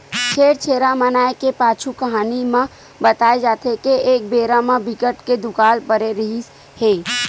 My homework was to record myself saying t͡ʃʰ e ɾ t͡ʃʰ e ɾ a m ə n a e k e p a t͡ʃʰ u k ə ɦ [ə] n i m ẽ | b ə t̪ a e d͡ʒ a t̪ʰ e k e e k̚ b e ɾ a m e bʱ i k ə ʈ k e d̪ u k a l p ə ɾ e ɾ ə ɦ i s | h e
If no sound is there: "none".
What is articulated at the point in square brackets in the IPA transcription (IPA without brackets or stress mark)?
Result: a